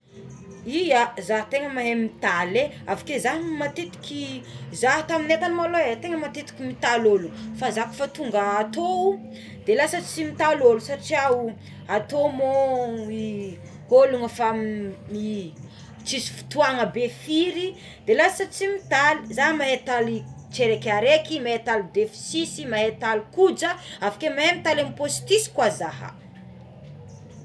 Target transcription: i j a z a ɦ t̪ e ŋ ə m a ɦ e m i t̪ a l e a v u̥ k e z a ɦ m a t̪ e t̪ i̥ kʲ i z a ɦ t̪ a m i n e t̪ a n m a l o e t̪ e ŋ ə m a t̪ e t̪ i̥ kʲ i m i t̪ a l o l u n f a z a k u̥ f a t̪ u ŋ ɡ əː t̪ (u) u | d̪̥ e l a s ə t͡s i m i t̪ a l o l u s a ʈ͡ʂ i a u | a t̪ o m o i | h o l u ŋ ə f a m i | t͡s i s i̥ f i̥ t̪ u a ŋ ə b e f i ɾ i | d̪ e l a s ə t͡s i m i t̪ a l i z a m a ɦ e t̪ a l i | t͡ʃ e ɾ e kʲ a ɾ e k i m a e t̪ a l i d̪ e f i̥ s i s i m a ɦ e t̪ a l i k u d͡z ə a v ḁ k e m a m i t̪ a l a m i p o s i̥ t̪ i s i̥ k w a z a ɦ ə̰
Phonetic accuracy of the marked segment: incorrect: o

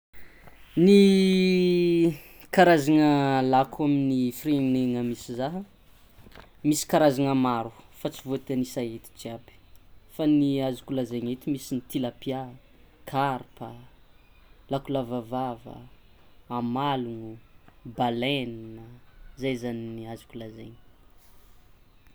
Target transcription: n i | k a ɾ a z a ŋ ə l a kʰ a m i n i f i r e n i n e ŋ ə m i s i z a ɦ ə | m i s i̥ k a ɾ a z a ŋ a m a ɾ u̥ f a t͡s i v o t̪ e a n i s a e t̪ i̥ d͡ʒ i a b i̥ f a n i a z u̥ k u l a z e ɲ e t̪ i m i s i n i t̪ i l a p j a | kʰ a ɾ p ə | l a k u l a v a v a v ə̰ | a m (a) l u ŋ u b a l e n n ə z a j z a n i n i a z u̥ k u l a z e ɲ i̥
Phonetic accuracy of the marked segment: correct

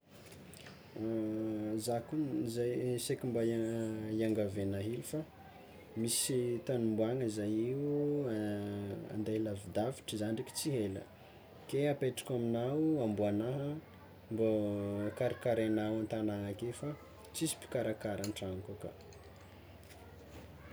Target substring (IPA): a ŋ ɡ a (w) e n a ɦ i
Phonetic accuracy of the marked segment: incorrect: v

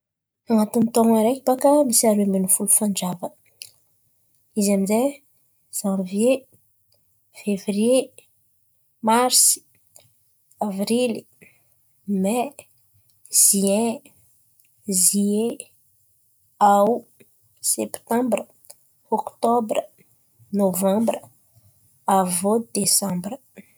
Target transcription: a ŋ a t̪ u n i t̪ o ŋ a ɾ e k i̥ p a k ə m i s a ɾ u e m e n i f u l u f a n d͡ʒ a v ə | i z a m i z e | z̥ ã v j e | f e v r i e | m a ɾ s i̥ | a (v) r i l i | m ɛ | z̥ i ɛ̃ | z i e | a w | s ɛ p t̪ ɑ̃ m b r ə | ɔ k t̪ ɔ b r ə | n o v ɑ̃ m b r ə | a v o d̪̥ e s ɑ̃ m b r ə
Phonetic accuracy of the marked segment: correct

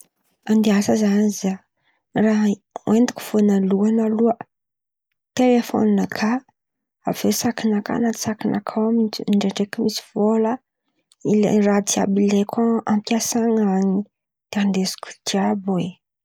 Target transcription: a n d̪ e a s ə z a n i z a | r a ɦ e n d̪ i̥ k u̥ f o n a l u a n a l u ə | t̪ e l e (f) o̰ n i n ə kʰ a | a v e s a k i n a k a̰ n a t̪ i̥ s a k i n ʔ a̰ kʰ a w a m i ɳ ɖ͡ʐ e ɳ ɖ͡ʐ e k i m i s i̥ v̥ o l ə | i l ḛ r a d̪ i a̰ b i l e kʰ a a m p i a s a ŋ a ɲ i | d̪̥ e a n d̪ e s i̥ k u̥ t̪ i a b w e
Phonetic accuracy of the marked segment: correct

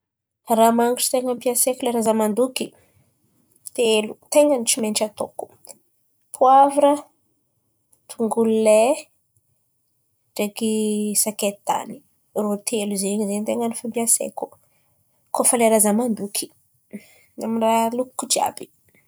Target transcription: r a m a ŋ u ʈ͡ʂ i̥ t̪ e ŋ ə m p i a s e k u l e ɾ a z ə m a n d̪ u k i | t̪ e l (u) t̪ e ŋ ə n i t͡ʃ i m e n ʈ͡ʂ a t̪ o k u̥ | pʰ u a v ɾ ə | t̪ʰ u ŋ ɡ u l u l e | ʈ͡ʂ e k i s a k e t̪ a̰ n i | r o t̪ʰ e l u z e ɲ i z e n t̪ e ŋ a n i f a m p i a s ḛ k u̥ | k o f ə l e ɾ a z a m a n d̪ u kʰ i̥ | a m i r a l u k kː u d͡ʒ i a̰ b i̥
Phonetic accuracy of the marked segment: correct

